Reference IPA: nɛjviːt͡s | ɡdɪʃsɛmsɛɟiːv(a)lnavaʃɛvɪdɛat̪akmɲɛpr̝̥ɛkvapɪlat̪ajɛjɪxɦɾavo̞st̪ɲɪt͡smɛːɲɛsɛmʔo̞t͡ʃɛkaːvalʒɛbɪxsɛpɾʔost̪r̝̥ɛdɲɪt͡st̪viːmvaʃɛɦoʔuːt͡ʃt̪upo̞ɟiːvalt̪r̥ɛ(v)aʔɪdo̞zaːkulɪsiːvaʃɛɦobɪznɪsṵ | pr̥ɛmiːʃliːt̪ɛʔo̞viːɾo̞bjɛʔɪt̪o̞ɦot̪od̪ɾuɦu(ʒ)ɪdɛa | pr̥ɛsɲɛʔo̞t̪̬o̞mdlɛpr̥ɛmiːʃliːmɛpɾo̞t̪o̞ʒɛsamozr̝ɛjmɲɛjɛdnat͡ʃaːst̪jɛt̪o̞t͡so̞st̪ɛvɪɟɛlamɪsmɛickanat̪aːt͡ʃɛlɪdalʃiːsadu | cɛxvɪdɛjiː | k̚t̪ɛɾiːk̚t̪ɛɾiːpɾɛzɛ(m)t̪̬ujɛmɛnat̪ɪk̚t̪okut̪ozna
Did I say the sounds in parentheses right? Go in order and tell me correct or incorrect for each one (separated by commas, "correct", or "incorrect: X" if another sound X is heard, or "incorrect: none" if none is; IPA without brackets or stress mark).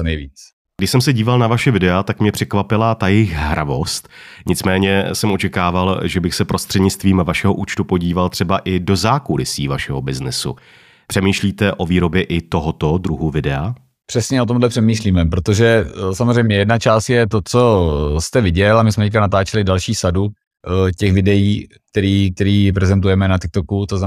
correct, incorrect: b, incorrect: v, incorrect: n